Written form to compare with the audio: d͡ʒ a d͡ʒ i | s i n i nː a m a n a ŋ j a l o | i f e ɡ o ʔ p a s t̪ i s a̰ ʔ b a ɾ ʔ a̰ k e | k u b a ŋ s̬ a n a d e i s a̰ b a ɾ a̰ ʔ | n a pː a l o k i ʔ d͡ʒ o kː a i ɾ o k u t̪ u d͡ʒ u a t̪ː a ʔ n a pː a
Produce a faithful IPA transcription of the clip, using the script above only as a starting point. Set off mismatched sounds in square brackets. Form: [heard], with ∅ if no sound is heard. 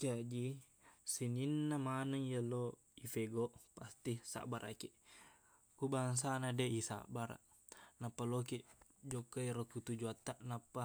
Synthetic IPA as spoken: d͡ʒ a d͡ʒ i | s i n i nː a m a n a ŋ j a l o | i f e ɡ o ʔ p a s t̪ i s a̰ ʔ b a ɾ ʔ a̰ k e | k u b a ŋ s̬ a n a d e i s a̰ b a ɾ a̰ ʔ | n a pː a l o k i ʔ d͡ʒ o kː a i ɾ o k u t̪ u d͡ʒ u a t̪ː a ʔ n a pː a